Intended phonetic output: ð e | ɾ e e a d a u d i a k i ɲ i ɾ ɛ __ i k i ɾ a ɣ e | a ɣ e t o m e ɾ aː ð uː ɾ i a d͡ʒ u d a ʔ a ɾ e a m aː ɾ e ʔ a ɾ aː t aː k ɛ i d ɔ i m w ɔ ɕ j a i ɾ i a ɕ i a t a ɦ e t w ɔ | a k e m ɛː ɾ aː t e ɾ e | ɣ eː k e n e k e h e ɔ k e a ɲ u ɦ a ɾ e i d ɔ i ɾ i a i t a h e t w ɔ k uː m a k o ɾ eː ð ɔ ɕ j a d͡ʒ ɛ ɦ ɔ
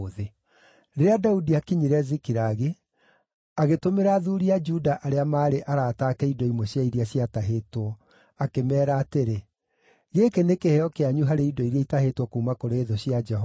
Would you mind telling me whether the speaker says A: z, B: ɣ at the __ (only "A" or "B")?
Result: A